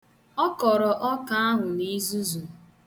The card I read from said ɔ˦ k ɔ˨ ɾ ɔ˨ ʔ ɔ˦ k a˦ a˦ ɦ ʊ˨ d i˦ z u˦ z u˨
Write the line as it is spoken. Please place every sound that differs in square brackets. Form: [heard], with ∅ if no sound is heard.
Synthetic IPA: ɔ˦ k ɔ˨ ɾ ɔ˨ ʔ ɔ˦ k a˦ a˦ ɦ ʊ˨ [n] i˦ z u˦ z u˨